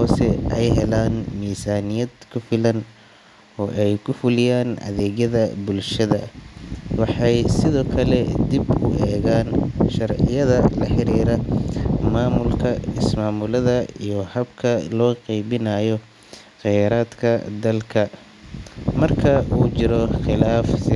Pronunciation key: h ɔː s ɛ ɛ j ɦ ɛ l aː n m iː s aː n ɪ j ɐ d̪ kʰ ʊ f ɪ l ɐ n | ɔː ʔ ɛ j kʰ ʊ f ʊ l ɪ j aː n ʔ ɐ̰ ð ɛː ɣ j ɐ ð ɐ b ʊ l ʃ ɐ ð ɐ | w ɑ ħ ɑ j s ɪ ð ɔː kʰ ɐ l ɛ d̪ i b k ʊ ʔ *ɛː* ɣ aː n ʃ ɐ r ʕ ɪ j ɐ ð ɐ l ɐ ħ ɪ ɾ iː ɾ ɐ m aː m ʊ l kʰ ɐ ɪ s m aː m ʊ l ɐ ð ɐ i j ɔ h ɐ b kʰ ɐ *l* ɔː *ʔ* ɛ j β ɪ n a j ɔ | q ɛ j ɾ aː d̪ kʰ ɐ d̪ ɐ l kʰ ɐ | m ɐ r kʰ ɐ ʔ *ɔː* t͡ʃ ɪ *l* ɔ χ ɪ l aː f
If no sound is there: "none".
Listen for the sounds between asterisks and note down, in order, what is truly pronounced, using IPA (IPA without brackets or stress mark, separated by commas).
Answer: ɛː, l, q, uː, ɾ